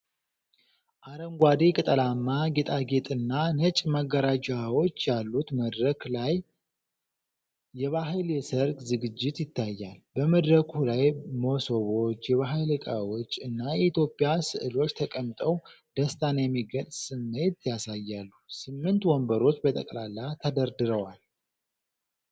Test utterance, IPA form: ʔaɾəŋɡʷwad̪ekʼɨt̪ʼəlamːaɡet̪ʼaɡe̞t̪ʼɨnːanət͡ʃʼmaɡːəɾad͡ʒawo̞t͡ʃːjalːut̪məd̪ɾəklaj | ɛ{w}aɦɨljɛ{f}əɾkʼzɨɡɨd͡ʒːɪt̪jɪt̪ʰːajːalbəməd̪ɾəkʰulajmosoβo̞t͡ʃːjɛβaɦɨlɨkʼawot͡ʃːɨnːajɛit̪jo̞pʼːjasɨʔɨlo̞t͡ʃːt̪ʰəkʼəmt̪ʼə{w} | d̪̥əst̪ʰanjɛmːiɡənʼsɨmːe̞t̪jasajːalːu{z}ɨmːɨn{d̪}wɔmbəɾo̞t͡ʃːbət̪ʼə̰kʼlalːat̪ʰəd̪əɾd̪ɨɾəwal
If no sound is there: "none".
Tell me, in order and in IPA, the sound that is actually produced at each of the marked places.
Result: β, s, w, s, t̪

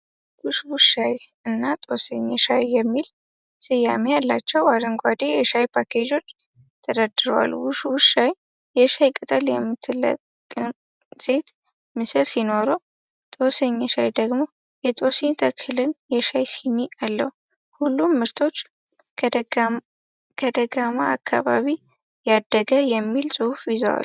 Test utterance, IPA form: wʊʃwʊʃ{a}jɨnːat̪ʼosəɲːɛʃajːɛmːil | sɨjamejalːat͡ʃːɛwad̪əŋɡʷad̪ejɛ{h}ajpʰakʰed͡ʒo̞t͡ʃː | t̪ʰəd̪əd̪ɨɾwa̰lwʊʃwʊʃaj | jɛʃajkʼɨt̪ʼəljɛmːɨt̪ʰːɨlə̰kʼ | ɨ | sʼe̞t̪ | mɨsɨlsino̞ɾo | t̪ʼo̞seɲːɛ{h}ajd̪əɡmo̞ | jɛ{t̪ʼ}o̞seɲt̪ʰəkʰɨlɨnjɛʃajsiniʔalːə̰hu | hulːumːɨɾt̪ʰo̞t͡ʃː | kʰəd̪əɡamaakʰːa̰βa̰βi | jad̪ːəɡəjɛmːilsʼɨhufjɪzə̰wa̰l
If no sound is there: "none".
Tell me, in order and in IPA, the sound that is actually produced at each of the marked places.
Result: a, ʃ, ʃ, t̪ʼ

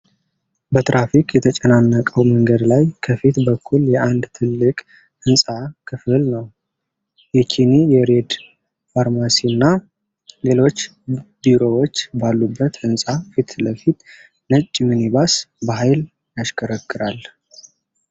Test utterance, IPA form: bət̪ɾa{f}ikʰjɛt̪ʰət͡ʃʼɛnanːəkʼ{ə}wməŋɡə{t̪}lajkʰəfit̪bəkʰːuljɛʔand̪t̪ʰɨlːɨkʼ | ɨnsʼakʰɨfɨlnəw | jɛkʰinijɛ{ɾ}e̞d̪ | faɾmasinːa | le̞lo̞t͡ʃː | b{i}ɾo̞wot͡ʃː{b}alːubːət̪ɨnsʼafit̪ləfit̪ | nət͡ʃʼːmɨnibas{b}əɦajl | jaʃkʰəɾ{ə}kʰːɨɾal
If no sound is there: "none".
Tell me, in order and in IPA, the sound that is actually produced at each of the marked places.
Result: f, ə, d̪, ɾ, i, b, b, ə

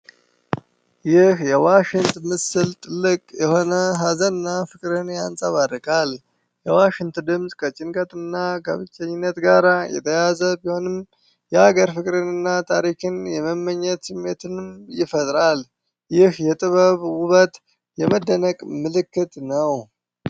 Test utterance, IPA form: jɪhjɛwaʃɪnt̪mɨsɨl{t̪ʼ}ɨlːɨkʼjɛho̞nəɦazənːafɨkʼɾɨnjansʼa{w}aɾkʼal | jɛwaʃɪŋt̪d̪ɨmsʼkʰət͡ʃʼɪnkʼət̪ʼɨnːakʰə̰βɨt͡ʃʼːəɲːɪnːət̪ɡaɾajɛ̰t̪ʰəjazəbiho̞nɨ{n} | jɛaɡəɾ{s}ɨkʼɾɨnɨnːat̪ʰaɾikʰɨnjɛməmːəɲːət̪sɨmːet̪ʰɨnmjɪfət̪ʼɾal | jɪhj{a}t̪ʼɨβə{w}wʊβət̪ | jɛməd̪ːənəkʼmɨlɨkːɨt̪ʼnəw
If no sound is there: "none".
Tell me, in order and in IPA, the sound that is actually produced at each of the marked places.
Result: t̪ʼ, β, m, f, ɛ, β

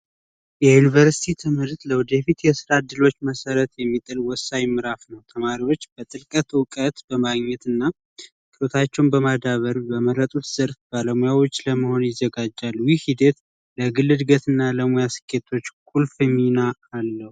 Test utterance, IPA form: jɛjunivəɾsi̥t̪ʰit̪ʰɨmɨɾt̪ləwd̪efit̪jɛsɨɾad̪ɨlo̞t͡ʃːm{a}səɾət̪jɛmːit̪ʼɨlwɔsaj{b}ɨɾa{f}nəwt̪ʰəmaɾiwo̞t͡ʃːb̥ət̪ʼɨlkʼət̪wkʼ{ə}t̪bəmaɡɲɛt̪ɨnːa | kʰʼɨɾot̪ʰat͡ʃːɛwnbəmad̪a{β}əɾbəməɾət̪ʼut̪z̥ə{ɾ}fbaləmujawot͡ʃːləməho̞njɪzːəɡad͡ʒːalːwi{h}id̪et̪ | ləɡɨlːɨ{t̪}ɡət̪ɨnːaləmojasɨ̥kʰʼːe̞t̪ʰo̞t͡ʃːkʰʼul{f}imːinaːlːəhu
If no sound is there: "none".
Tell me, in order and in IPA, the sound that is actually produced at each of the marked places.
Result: ə, m, f, ə, β, ɾ, h, d̪, f

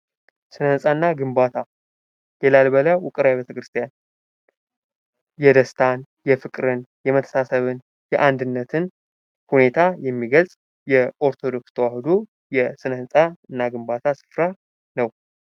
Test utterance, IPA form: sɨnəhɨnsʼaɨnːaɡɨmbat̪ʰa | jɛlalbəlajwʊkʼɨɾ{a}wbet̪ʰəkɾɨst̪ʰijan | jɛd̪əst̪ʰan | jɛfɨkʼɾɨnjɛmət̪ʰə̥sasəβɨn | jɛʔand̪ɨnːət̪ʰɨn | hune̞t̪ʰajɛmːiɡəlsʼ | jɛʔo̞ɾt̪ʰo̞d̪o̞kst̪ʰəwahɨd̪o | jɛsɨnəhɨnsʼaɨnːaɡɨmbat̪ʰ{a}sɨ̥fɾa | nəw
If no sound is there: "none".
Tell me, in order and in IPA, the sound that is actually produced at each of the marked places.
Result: a, a

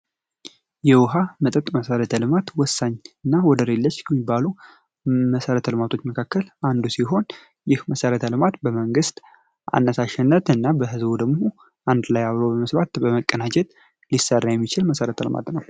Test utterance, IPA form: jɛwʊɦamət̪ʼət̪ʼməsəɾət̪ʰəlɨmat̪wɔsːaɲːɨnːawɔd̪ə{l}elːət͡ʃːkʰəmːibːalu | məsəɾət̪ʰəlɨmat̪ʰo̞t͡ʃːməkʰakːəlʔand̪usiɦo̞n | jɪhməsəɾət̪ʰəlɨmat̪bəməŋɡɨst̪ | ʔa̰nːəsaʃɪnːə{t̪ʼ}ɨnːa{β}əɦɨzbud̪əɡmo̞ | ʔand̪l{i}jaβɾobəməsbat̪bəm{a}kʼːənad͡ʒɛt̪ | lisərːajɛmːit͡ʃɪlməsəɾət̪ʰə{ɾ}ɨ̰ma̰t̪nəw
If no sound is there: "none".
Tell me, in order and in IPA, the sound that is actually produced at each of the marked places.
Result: ɾ, t̪, b, a, ə, l

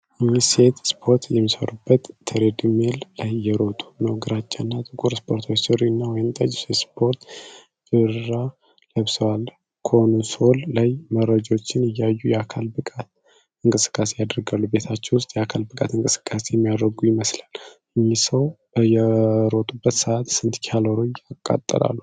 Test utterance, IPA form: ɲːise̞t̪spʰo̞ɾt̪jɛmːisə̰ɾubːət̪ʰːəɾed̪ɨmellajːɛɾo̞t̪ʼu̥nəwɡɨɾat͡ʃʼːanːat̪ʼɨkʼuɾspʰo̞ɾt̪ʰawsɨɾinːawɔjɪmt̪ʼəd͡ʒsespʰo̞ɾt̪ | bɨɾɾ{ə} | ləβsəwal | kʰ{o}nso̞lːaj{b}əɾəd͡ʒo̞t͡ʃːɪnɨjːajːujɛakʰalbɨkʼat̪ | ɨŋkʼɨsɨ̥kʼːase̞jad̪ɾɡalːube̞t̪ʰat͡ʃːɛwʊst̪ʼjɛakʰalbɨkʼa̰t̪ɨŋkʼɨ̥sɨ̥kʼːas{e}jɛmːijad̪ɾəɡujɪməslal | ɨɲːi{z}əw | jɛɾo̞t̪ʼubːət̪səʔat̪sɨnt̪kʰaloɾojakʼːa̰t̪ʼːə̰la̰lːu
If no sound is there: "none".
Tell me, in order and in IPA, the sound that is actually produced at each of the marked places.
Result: a, o, m, e, s

